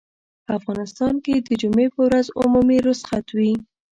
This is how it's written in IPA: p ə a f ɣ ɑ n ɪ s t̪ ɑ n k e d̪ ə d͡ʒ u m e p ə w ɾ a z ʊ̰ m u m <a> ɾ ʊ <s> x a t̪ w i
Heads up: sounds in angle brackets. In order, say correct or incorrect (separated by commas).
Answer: incorrect, correct